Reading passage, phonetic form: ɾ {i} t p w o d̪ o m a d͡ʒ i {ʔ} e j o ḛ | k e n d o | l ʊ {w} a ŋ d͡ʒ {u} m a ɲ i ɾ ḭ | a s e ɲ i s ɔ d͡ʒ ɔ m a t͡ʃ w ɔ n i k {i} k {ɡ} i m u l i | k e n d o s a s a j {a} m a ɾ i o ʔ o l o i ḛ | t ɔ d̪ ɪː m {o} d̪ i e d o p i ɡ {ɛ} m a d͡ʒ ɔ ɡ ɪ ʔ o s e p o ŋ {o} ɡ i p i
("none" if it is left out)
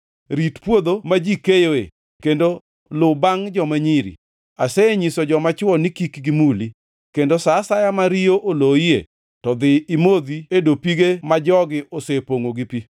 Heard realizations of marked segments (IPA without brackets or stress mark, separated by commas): i, k, b, ɔ, i, ɡ, a, o, e, o